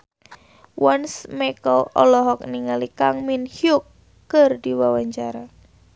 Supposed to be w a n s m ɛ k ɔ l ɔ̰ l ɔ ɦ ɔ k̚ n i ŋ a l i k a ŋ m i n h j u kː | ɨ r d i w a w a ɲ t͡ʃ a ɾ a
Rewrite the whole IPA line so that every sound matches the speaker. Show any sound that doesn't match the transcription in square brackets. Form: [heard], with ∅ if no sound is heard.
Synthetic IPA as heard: w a n s m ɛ k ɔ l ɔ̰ l ɔ ɦ ɔ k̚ n i ŋ a l i k a ŋ m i n h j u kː | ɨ r d i w a w a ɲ t͡ʃ a ɾ a